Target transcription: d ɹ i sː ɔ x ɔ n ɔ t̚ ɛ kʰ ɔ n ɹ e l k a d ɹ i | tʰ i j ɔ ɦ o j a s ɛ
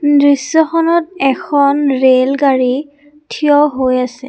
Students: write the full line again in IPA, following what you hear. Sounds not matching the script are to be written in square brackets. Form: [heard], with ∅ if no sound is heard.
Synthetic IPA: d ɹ i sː ɔ x ɔ n ɔ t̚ ɛ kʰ ɔ n ɹ e l [ɡ] a [∅] ɹ i | tʰ i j ɔ ɦ o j a s ɛ